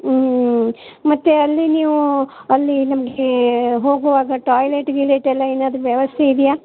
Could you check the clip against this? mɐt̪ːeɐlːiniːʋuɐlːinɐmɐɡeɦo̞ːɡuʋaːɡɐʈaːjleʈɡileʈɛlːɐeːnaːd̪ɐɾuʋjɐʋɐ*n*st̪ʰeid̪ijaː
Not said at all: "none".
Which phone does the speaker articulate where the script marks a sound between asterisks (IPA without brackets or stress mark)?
none